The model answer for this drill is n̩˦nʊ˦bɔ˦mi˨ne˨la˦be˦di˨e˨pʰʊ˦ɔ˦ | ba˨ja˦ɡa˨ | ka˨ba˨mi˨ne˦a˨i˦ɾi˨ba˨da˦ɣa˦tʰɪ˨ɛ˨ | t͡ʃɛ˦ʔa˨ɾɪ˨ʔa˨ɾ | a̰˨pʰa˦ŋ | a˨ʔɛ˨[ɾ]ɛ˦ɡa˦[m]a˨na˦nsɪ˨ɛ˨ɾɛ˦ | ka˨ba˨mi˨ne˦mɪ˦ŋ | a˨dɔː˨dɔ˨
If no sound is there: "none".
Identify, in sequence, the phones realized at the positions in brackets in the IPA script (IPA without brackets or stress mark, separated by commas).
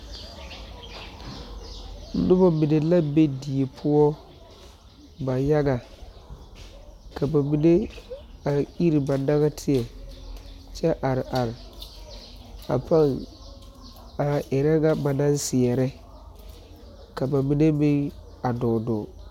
ɾ, b